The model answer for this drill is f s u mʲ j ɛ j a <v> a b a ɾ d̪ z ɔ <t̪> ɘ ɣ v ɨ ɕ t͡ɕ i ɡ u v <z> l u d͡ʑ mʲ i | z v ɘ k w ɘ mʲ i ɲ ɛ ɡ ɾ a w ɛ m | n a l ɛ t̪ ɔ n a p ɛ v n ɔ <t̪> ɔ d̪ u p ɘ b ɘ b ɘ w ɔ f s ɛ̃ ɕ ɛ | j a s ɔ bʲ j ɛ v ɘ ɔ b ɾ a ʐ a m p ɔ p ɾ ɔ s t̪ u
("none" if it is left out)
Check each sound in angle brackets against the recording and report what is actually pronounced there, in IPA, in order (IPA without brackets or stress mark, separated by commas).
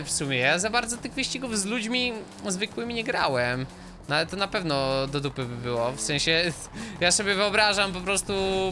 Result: z, t̪, z, d̪